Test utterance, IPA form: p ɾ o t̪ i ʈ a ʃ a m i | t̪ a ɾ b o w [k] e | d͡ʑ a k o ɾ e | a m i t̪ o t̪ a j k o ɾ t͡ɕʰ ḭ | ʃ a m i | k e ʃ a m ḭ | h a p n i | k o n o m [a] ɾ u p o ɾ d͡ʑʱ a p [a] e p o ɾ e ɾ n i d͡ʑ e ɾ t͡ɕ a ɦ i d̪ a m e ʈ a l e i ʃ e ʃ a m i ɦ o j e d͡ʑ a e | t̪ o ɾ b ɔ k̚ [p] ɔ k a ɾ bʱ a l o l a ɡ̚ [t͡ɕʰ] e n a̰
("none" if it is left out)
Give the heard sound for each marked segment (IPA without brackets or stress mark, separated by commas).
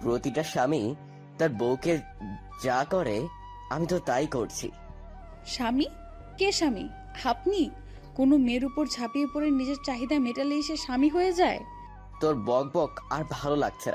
k, e, i, b, t͡ɕʰ